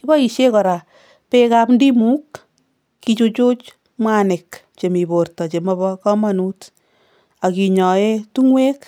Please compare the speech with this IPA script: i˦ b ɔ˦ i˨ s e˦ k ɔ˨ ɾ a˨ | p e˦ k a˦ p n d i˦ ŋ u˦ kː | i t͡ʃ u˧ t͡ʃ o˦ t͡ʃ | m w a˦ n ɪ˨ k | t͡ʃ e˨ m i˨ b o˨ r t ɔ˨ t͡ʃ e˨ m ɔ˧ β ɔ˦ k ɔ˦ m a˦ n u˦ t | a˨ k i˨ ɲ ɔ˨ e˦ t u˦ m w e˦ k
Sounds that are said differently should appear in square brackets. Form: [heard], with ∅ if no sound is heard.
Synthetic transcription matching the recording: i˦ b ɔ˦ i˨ [ʃ] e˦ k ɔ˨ ɾ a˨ | p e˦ k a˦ p n d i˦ [m] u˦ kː | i t͡ʃ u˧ t͡ʃ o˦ t͡ʃ | m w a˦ n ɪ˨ k | t͡ʃ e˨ m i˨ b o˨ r t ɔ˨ t͡ʃ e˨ m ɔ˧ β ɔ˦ k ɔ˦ m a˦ n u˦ t | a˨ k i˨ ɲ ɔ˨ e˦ t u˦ [ŋ] w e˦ k